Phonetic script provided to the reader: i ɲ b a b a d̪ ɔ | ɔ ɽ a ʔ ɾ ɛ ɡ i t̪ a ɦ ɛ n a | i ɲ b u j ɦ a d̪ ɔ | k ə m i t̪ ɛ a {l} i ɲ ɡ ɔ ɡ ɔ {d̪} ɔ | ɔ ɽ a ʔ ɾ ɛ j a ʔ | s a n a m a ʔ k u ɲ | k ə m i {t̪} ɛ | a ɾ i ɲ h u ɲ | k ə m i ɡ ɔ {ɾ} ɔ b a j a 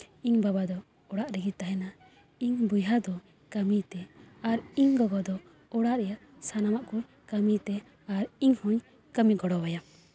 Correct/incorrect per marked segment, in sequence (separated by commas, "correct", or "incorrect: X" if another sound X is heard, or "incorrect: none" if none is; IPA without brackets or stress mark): incorrect: ɾ, correct, correct, incorrect: ɽ